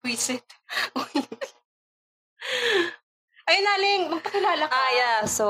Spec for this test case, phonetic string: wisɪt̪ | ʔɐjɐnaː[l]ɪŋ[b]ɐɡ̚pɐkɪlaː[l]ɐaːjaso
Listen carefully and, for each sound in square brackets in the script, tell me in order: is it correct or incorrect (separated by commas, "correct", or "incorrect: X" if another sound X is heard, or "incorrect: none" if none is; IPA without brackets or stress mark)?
correct, incorrect: m, correct